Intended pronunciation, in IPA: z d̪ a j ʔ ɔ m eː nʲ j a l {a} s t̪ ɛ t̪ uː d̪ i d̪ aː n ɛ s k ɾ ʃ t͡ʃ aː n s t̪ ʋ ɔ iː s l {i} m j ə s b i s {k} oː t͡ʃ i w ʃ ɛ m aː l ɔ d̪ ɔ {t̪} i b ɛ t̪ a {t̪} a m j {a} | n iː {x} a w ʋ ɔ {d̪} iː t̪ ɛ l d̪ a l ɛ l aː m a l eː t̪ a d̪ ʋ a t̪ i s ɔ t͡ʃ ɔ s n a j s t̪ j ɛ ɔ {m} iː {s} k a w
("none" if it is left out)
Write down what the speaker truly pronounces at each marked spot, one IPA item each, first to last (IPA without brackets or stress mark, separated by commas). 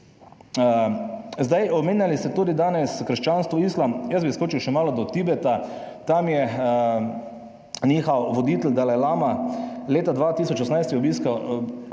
i, a, k, t̪, t̪, ɛ, x, d̪, b, s